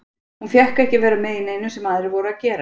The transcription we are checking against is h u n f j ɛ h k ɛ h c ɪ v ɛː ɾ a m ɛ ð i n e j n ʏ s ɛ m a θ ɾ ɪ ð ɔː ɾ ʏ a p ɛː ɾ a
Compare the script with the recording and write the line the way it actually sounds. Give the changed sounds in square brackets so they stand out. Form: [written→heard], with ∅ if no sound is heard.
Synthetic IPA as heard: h u n f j ɛ h k ɛ h c ɪ v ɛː ɾ a m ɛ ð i n e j n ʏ s ɛ m a [θ→ð] ɾ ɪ [ð→v] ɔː ɾ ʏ a [p→c] ɛː ɾ a